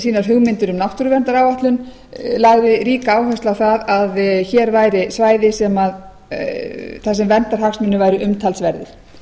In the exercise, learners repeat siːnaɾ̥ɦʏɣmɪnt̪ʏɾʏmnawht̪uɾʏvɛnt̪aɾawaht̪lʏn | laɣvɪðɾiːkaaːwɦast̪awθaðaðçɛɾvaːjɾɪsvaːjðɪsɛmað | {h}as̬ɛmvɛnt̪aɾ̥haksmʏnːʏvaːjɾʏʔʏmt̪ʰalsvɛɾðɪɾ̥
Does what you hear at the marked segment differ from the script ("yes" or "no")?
yes